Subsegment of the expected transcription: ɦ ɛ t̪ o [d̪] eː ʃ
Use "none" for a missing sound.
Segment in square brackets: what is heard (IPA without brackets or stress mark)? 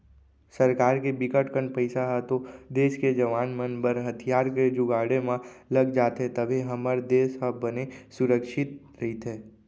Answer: d̪